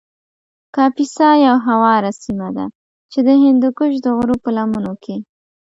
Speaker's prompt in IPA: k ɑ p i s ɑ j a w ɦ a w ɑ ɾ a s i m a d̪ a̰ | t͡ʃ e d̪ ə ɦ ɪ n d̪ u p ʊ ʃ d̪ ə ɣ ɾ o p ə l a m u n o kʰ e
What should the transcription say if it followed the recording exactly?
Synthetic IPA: k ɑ p i s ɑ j a w ɦ a w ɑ ɾ a s i m a d̪ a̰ | t͡ʃ e d̪ ə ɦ ɪ n d̪ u k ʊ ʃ d̪ ə ɣ ɾ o p ə l a m u n o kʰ e